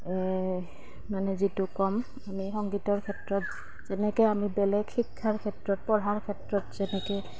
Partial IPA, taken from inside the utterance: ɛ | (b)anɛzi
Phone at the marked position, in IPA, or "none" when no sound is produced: m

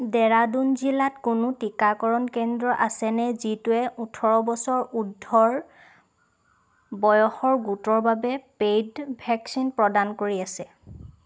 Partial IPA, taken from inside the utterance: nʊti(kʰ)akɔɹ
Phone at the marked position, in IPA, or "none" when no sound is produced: k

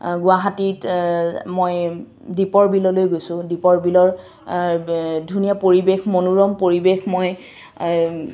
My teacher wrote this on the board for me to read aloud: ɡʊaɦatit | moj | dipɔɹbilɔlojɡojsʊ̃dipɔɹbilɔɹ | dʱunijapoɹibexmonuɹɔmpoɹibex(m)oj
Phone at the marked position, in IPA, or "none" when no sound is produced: m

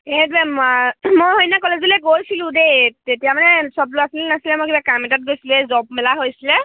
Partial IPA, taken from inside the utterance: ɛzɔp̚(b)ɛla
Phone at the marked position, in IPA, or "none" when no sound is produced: m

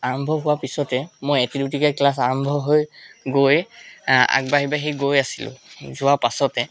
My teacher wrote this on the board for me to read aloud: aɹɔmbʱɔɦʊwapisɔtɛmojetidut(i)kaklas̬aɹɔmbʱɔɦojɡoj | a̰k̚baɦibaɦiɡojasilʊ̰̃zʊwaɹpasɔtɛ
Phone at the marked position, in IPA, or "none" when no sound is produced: i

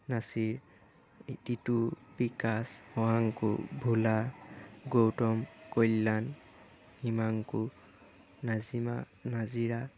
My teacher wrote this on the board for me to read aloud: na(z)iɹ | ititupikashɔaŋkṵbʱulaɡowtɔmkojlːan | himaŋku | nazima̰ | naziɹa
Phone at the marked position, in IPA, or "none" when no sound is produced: s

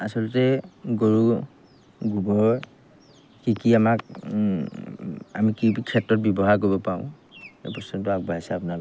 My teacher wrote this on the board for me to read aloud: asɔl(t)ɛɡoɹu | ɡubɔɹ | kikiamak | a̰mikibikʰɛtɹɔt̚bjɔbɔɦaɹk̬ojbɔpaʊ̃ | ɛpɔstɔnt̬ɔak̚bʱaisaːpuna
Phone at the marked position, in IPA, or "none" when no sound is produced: t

